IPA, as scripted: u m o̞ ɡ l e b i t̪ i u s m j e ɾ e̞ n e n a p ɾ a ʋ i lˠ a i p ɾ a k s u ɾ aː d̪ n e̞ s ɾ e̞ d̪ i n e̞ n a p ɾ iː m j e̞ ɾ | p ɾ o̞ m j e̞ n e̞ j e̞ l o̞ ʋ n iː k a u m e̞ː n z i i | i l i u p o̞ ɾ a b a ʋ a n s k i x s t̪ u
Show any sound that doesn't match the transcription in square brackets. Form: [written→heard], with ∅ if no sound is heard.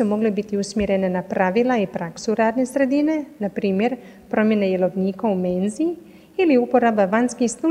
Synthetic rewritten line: u m o̞ ɡ l e b i t̪ i u s m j e ɾ e̞ n e n a p ɾ a ʋ i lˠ a i p ɾ a k s u ɾ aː d̪ n e̞ s ɾ e̞ d̪ i n e̞ n a p ɾ iː m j e̞ ɾ | p ɾ o̞ m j e̞ n e̞ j e̞ l o̞ ʋ n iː k a u m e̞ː n z i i | i l i u p o̞ ɾ a b a ʋ a n s k i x s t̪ u